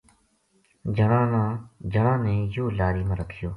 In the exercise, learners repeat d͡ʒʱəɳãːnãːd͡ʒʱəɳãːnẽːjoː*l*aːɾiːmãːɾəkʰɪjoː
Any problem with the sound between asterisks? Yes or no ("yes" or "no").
no